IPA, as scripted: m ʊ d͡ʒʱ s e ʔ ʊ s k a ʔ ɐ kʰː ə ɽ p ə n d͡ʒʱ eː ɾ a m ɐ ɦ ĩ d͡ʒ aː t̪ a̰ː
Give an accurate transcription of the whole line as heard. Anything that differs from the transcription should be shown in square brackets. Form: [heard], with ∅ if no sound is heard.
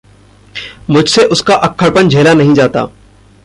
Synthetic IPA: m ʊ d͡ʒʱ s e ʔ ʊ s k a ʔ ɐ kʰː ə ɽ p ə n d͡ʒʱ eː [l] a [n] ɐ ɦ ĩ d͡ʒ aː t̪ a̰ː

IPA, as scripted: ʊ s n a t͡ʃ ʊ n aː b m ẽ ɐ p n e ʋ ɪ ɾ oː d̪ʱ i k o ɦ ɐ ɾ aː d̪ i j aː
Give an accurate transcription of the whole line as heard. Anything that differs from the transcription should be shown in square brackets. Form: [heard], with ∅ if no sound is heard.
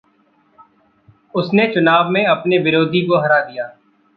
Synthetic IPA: ʊ s n [e] t͡ʃ ʊ n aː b m ẽ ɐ p n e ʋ ɪ ɾ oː d̪ʱ i k o ɦ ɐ ɾ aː d̪ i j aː

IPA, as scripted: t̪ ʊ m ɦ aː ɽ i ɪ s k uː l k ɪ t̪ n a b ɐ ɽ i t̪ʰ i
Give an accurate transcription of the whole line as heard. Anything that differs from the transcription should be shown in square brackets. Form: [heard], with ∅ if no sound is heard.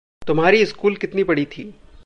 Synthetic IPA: t̪ ʊ m ɦ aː [ɾ] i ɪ s k uː l k ɪ t̪ n [i] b ɐ ɽ i t̪ʰ [iː]

